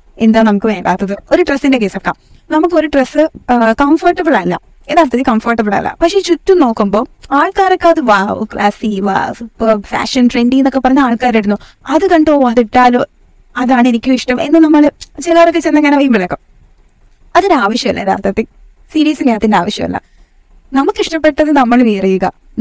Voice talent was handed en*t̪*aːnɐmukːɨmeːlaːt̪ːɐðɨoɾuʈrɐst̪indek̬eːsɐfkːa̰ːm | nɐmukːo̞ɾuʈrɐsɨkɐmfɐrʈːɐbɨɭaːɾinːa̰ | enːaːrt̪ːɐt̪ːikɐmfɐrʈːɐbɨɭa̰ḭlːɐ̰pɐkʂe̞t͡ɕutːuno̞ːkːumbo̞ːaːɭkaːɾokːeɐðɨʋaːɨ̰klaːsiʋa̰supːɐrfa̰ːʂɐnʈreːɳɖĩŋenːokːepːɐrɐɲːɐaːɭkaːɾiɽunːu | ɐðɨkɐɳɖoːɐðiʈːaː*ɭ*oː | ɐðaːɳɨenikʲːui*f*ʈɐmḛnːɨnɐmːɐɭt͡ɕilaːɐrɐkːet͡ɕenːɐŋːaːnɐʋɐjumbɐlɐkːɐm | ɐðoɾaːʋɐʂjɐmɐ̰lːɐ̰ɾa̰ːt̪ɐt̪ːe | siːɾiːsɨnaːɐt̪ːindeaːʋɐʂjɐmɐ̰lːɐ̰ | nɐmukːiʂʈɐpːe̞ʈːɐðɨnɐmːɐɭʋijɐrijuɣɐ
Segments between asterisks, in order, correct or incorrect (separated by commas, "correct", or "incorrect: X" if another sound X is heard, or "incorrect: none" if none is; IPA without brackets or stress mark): incorrect: d̪, incorrect: l, incorrect: ʂ